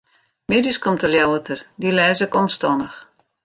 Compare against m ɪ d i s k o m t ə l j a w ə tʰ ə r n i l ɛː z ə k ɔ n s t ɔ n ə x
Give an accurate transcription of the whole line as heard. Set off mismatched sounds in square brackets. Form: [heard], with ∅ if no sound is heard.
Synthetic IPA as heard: m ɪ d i s k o m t ə l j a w ə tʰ ə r [d] i l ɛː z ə k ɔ [m] s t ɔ n ə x

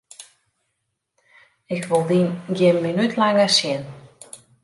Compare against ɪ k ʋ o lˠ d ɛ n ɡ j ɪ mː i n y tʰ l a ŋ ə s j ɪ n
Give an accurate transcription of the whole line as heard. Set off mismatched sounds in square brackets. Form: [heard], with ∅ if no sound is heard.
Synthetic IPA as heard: ɪ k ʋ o lˠ d [i] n ɡ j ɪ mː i n y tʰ l a ŋ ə s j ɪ n

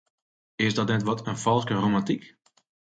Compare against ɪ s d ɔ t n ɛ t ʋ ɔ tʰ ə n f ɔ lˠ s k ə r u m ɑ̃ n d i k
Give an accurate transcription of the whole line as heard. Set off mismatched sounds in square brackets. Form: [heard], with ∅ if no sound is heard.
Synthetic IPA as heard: ɪ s d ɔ t n ɛ t ʋ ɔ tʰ ə n f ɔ lˠ s k ə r [o] m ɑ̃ n [t] i k

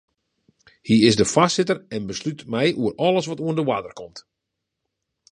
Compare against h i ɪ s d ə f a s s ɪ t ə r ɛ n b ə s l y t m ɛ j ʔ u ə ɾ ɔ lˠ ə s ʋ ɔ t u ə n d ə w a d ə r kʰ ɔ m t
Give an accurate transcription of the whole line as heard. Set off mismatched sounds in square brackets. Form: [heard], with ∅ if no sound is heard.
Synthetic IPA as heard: h i ɪ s d ə f a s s ɪ t ə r ɛ n b ə s l y t m ɛ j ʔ u ə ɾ ɔ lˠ ə s ʋ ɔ t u ə n d ə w a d ə r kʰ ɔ m t

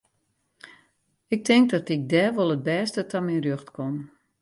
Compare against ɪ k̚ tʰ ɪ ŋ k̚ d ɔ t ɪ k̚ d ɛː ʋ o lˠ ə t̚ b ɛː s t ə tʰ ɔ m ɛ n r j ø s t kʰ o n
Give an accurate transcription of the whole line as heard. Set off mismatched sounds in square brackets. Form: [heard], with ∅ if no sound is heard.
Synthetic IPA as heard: ɪ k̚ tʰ ɪ ŋ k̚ d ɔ t ɪ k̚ d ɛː ʋ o lˠ ə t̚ b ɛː s t ə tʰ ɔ m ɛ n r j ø [x] t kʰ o n

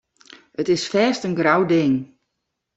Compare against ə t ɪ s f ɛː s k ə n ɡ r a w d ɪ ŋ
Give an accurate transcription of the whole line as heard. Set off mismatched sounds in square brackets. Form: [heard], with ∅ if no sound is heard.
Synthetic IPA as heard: ə t ɪ s f ɛː s [t] ə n ɡ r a w d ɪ ŋ

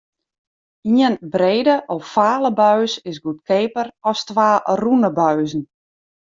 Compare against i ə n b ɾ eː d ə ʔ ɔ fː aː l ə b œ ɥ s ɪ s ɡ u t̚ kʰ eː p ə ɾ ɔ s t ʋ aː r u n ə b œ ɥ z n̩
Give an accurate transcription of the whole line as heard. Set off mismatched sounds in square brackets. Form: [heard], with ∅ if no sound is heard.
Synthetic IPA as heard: i ə n b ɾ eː d ə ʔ ɔ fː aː l ə b œ ɥ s ɪ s ɡ u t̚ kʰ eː p ə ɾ ɔ s t ʋ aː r u n ə b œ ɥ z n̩

